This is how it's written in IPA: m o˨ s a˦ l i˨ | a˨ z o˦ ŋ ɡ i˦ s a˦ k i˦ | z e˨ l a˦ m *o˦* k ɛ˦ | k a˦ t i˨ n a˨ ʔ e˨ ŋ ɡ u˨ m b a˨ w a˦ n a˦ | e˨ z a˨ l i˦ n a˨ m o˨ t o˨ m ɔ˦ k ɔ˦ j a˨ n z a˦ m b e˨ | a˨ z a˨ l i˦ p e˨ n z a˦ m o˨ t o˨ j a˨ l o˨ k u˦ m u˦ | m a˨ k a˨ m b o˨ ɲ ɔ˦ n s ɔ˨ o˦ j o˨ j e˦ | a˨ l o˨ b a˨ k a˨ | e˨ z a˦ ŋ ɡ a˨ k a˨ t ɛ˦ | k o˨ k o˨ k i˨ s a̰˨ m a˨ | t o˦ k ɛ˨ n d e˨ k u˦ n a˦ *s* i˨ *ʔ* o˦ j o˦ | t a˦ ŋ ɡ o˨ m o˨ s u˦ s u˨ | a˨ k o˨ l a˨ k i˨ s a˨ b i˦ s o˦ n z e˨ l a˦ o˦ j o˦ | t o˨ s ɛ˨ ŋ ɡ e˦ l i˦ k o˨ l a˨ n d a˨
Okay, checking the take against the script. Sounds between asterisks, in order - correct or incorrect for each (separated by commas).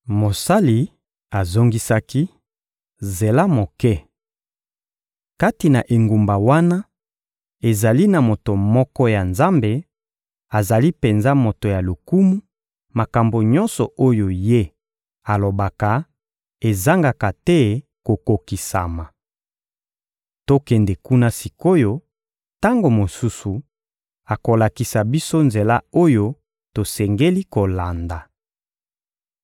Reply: incorrect, correct, incorrect